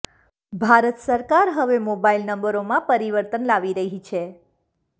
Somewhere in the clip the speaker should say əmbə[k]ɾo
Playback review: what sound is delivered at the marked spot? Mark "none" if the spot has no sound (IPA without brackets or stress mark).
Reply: none